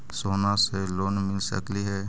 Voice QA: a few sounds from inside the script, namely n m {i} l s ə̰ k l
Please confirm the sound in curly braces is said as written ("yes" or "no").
no